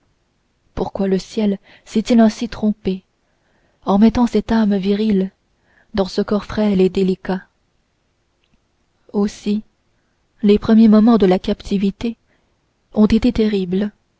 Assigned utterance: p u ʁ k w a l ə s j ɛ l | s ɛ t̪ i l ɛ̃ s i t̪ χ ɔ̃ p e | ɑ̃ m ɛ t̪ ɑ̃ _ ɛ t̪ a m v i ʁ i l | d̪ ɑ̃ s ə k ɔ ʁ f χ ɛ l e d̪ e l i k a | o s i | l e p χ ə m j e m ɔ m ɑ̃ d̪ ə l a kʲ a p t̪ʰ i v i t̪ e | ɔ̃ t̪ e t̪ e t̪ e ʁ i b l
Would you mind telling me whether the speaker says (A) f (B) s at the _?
B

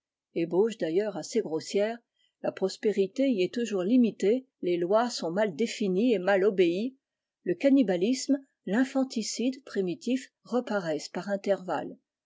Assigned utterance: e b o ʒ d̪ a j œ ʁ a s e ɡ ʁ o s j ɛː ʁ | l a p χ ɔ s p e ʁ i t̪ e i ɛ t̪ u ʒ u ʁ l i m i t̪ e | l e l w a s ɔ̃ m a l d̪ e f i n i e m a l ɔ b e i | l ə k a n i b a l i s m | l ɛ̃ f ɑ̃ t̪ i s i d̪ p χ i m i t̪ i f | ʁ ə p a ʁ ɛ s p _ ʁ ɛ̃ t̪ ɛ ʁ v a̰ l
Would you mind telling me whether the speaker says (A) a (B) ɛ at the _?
A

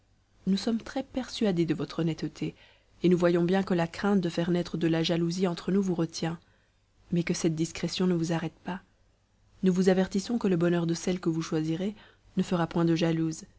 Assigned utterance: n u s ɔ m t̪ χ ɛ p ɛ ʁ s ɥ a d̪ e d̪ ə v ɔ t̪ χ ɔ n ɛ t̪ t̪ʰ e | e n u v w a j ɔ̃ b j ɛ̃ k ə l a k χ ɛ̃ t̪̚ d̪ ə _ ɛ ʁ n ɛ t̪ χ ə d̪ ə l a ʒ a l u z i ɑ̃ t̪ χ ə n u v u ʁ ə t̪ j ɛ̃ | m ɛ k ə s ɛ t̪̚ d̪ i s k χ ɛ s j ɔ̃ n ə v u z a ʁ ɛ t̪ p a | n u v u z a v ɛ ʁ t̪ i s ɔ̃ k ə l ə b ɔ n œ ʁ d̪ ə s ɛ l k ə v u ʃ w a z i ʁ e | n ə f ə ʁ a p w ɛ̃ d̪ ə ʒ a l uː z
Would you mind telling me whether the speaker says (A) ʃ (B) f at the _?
B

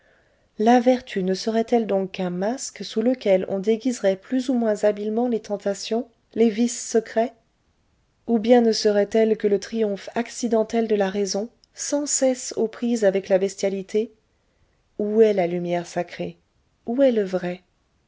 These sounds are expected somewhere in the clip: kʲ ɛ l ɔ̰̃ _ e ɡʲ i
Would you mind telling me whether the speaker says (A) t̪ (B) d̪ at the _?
B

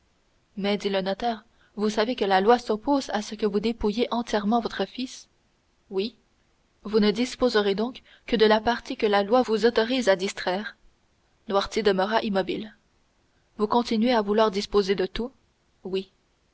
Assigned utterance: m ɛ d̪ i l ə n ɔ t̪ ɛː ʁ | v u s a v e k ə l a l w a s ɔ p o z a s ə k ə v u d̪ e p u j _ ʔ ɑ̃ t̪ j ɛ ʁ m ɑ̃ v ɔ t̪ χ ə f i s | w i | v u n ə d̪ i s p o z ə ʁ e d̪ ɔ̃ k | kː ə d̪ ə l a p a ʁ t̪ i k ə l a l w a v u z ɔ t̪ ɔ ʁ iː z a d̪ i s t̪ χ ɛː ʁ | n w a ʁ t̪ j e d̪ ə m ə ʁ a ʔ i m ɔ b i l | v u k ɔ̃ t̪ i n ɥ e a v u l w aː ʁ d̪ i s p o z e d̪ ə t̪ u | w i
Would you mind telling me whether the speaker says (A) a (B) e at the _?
B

